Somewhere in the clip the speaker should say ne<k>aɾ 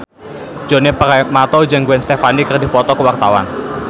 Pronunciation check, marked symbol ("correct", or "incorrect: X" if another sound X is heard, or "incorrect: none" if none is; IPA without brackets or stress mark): incorrect: p